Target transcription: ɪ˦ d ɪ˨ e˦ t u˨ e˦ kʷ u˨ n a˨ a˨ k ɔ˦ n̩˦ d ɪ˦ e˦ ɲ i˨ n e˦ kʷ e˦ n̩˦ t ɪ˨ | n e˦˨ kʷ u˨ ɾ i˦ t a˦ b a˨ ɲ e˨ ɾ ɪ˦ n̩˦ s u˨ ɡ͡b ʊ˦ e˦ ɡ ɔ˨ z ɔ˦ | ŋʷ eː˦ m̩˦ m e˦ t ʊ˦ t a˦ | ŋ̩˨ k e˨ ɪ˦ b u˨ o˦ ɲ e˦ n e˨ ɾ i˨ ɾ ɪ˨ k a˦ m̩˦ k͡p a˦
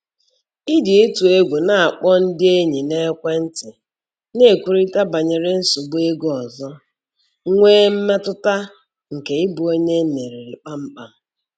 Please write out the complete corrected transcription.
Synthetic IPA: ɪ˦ d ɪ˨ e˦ t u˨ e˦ ɡʷ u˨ n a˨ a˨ k͡p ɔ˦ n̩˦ d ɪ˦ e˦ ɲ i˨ n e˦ kʷ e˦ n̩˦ t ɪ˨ | n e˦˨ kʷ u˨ ɾ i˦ t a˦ b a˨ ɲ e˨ ɾ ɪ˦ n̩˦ s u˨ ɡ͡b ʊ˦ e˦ ɡ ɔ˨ z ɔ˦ | ŋʷ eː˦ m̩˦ m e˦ t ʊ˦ t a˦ | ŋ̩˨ k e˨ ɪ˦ b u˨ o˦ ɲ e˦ n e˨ ɾ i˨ ɾ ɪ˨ k͡p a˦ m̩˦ k͡p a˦

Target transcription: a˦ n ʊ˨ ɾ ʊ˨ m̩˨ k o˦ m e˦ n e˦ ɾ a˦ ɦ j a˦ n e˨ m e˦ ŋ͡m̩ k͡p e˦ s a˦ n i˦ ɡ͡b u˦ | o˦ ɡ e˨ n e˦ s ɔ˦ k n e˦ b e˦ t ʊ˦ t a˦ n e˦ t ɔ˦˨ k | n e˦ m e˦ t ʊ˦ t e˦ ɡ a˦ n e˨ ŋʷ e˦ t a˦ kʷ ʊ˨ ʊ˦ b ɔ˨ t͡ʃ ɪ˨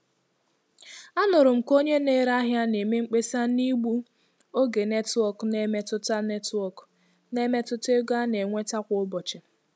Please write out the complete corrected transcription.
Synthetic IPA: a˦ n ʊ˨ ɾ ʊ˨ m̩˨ k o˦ ɲ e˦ n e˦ ɾ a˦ ɦ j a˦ n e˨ m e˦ ŋ͡m̩ k͡p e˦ s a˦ n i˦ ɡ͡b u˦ | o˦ ɡ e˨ n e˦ t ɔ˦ k n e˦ m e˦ t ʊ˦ t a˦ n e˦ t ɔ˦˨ k | n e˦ m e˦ t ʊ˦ t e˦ ɡ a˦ n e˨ ŋʷ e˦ t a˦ kʷ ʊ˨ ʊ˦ b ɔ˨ t͡ʃ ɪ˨

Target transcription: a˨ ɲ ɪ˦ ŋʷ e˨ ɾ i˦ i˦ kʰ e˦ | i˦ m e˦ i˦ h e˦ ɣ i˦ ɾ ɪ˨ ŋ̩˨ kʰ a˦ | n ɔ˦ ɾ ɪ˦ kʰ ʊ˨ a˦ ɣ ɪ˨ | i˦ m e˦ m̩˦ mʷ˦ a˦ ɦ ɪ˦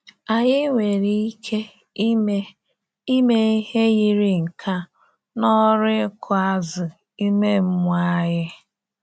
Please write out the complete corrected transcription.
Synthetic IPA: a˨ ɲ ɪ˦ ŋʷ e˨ ɾ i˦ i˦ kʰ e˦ | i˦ m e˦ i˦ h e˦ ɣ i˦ ɾ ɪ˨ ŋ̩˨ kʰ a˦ | n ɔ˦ ɾ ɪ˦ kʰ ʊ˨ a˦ z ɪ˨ | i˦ m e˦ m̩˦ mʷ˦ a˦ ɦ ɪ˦

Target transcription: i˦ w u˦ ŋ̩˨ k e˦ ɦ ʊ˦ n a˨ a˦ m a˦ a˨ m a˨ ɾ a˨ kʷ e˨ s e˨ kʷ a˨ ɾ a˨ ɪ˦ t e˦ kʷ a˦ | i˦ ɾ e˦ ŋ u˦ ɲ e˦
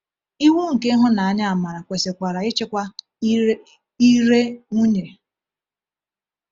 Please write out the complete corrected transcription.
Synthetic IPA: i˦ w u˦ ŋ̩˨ k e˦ ɦ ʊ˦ n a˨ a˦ ɲ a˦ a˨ m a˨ ɾ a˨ kʷ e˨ s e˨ kʷ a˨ ɾ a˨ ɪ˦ t͡ʃ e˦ kʷ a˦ | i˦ ɾ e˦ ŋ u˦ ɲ e˨

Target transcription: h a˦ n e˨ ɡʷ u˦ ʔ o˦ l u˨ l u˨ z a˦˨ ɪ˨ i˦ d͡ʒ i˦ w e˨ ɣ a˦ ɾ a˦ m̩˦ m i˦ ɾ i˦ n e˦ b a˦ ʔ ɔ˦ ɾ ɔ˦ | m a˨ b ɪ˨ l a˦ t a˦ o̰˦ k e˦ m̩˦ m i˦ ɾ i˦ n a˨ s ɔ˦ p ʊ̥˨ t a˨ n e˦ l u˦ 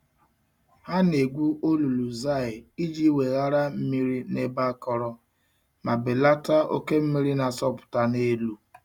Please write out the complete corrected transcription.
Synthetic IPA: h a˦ n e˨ ɡʷ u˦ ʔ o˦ l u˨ l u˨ z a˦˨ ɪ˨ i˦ d͡ʒ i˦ w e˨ ɣ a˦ ɾ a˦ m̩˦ m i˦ ɾ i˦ n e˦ b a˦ k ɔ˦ ɾ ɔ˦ | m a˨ b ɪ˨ l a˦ t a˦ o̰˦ k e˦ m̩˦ m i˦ ɾ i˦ n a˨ s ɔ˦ p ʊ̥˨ t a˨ n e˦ l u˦

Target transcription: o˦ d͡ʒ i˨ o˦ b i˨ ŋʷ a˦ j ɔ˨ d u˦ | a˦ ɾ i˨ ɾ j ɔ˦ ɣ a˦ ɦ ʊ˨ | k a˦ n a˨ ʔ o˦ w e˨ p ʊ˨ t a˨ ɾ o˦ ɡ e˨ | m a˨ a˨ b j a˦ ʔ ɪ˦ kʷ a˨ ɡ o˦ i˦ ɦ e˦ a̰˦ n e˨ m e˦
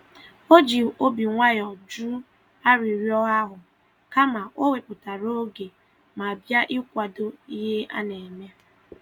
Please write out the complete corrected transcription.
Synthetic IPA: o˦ d͡ʒ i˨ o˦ b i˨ ŋʷ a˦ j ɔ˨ d͡ʒ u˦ | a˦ ɾ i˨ ɾ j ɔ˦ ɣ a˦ ɦ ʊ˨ | k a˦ m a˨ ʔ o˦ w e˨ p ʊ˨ t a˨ ɾ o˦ ɡ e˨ | m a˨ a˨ b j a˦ ʔ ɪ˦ kʷ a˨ d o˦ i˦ ɦ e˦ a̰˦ n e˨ m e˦

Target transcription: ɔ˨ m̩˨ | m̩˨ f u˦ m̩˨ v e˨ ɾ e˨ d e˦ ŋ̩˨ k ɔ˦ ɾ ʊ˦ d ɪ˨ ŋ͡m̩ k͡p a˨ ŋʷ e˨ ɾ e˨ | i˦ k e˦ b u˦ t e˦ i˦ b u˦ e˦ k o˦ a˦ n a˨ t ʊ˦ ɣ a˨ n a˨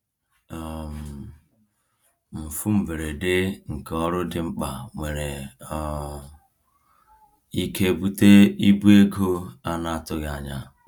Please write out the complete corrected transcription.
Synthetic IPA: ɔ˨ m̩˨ | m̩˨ f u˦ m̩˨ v e˨ ɾ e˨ d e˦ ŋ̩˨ k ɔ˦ ɾ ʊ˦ d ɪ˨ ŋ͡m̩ k͡p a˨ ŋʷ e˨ ɾ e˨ | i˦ k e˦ b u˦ t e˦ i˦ b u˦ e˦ ɡ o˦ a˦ n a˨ t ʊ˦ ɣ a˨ ɲ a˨

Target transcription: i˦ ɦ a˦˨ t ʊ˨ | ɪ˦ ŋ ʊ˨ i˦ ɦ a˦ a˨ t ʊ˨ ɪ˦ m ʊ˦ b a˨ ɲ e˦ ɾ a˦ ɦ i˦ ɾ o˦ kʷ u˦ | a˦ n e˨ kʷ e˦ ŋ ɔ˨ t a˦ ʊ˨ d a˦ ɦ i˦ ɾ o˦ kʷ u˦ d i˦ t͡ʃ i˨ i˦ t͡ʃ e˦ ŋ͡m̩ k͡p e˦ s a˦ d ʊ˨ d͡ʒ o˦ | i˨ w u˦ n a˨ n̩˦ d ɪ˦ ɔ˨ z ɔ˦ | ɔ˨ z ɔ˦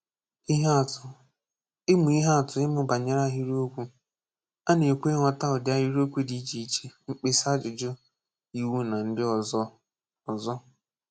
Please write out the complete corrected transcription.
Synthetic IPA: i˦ ɦ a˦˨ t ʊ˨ | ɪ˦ m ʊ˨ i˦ ɦ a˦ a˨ t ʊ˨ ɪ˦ m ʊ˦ b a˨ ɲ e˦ ɾ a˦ ɦ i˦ ɾ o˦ kʷ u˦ | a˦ n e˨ kʷ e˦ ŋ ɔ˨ t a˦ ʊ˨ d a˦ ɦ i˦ ɾ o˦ kʷ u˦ d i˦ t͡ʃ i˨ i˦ t͡ʃ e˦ ŋ͡m̩ k͡p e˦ s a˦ d͡ʒ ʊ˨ d͡ʒ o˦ | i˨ w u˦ n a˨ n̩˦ d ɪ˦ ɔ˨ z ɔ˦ | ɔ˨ z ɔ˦

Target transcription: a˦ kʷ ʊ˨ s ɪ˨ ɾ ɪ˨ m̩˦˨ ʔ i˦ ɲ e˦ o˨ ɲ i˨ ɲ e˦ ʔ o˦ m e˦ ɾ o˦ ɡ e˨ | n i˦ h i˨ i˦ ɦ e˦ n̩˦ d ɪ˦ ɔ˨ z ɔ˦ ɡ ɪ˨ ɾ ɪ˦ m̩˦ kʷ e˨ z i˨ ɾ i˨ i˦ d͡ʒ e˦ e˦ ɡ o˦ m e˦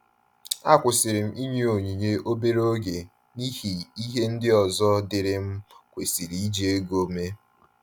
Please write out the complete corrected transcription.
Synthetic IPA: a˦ kʷ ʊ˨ s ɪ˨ ɾ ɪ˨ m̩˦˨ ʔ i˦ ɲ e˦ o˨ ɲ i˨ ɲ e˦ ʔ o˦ b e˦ ɾ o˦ ɡ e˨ | n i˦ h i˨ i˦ ɦ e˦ n̩˦ d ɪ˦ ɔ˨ z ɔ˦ d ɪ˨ ɾ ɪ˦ m̩˦ kʷ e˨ s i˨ ɾ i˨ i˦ d͡ʒ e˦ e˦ ɡ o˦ m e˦

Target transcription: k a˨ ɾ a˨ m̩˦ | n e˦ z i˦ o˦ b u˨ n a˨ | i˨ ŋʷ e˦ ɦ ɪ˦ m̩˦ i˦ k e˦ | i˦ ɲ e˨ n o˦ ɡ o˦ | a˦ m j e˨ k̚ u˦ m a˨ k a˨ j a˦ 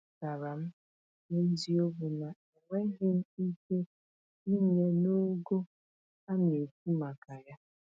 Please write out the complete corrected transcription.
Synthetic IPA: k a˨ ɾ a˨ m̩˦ | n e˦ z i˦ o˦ b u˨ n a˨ | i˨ ŋʷ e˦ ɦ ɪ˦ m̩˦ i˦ k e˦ | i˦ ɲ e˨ n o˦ ɡ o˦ | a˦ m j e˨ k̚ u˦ m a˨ k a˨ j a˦

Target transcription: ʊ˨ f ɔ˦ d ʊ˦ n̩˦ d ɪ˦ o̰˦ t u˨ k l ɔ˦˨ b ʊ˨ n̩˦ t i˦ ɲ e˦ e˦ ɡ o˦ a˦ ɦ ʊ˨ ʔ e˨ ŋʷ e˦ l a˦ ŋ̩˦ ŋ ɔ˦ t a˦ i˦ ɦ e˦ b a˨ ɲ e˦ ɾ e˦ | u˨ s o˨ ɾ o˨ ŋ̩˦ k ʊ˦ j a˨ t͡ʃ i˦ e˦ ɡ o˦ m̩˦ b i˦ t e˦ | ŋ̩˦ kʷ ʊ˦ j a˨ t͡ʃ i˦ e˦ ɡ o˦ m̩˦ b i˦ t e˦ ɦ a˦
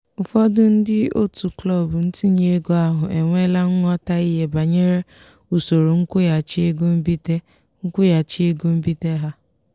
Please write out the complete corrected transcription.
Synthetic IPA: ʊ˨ f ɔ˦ d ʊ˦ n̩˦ d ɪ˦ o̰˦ t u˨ k l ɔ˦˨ b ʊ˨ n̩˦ t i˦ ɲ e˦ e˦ ɡ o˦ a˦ ɦ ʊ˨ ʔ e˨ ŋʷ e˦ l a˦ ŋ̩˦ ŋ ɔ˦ t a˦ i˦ ɦ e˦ b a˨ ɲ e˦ ɾ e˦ | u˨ s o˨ ɾ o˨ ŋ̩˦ k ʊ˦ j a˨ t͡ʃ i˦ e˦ ɡ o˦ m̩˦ b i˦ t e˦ | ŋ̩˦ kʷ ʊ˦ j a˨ t͡ʃ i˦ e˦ ɡ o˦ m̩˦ b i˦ t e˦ ɦ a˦

